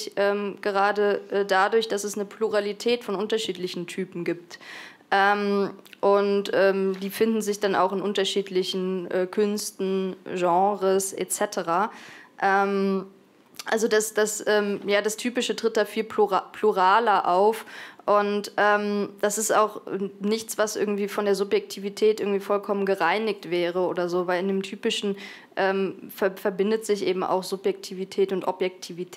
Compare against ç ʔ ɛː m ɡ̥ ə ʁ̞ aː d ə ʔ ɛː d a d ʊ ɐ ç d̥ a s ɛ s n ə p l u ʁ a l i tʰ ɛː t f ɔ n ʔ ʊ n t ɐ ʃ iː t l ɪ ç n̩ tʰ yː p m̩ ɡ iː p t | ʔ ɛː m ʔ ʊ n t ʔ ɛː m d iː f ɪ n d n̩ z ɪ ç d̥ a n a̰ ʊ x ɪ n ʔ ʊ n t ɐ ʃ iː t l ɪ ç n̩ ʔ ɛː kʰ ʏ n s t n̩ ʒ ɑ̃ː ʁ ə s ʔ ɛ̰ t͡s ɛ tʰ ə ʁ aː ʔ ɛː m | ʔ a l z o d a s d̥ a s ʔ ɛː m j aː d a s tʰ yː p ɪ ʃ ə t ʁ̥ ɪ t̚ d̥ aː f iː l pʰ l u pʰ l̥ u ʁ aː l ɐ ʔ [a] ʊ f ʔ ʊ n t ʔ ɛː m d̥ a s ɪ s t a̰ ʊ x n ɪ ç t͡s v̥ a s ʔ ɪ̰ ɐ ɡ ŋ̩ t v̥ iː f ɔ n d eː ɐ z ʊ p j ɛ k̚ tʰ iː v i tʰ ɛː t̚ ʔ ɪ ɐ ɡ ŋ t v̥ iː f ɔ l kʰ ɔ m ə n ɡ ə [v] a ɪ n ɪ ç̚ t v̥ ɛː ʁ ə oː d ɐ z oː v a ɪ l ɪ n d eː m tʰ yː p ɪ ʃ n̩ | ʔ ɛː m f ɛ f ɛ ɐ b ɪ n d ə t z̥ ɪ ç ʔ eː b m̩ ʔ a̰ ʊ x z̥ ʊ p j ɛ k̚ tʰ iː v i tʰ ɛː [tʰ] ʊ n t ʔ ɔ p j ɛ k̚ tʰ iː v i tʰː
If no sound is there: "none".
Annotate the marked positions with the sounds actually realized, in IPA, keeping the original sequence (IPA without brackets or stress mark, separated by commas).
a, ʁ, t